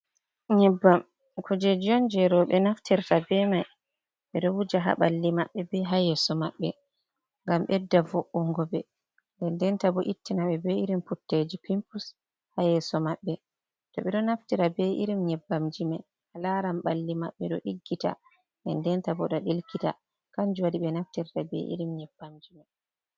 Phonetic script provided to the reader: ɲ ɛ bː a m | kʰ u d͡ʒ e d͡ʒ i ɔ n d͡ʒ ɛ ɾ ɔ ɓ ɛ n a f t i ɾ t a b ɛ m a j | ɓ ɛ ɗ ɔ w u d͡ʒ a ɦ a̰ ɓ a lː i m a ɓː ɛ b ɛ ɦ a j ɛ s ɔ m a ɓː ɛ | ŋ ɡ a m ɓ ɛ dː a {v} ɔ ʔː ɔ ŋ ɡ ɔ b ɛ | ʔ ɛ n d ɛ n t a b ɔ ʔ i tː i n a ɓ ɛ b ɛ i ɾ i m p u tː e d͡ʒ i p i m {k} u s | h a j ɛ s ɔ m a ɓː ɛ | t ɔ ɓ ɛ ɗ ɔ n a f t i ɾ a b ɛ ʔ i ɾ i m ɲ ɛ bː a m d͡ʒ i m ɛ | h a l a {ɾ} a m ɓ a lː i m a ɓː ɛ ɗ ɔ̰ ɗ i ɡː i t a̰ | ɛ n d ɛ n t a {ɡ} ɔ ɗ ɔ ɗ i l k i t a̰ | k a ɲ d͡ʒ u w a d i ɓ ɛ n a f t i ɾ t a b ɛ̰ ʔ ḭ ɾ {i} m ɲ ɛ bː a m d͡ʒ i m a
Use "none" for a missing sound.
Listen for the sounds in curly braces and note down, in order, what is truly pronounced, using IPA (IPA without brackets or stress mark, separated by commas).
v, p, ɾ, b, i